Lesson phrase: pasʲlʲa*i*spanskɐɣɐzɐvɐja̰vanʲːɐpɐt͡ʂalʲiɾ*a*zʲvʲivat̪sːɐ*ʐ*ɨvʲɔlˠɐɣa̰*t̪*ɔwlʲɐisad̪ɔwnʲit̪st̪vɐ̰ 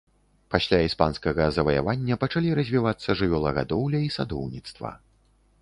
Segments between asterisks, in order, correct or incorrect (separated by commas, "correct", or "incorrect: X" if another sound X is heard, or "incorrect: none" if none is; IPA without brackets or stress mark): correct, incorrect: ɐ, correct, incorrect: d̪